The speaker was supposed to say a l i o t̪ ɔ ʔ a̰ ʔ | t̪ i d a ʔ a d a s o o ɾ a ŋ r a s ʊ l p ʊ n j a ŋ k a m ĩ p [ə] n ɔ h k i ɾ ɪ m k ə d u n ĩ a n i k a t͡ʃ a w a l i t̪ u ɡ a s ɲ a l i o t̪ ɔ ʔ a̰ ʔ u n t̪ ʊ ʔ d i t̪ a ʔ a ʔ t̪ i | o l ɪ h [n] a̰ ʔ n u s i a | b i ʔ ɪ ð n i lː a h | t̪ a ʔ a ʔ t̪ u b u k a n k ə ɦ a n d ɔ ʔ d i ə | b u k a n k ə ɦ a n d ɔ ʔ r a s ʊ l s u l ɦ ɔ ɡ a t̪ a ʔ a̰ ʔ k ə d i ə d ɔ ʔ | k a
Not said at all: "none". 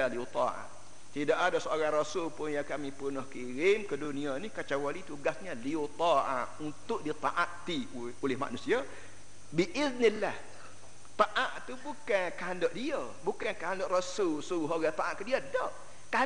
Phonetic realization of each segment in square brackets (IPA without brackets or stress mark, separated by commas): ə, m